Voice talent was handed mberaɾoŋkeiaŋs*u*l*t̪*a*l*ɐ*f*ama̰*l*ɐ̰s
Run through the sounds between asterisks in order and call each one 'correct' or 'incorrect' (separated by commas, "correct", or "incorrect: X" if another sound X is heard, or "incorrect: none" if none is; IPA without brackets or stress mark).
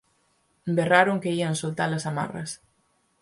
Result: incorrect: o, correct, correct, incorrect: s, incorrect: r